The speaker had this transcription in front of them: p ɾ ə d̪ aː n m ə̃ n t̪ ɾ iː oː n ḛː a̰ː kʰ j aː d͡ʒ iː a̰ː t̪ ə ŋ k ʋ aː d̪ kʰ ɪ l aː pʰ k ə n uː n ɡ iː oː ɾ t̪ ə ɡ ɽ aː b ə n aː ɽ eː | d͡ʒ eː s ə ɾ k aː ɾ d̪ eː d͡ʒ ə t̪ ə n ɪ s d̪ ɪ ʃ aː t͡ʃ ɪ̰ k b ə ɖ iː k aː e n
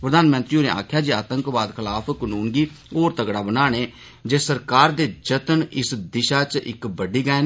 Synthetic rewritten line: p ɾ ə d̪ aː n m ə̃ n t̪ ɾ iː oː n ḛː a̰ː kʰ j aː d͡ʒ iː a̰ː t̪ ə ŋ k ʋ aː d̪ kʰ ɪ l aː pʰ k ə n uː n ɡ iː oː ɾ t̪ ə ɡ ɽ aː b ə n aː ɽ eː | d͡ʒ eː s ə ɾ k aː ɾ d̪ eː d͡ʒ ə t̪ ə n ɪ s d̪ ɪ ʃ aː t͡ʃ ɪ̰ k b ə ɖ iː ɡ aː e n

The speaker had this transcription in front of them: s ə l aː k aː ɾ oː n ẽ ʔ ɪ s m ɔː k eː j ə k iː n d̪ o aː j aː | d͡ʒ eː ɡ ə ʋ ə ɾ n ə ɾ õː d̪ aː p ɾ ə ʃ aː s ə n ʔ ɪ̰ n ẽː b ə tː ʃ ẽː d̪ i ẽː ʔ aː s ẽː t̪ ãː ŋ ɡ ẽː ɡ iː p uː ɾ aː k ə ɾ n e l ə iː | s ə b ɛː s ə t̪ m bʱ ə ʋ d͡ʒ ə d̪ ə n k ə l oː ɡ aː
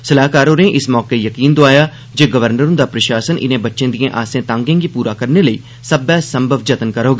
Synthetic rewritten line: s ə l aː k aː ɾ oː n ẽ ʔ ɪ s m ɔː k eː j ə k iː n d̪ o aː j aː | d͡ʒ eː ɡ ə ʋ ə ɾ n ə ɾ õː d̪ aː p ɾ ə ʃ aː s ə n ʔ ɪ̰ n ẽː b ə tː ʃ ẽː d̪ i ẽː ʔ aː s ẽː t̪ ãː ŋ ɡ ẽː ɡ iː p uː ɾ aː k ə ɾ n e l ə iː | s ə b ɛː s ə m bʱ ə ʋ d͡ʒ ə t̪ ə n k ə ɾ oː ɡ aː

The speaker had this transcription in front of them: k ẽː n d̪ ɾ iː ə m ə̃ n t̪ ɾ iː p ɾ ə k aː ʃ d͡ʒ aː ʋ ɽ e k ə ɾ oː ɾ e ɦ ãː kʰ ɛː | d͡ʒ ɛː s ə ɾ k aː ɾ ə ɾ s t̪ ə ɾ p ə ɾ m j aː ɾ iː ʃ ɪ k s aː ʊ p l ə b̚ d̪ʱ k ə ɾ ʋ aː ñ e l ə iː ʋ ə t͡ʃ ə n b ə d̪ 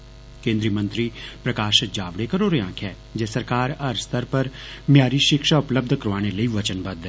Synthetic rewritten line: k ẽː n d̪ ɾ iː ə m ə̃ n t̪ ɾ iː p ɾ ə k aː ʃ d͡ʒ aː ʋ ɽ e k ə ɾ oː ɾ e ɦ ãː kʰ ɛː | d͡ʒ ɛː s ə ɾ k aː ɾ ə ɾ s t̪ ə ɾ p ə ɾ m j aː ɾ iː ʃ ɪ k ʃ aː ʊ p l ə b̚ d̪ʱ k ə ɾ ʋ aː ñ e l ə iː ʋ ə t͡ʃ ə n b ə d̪

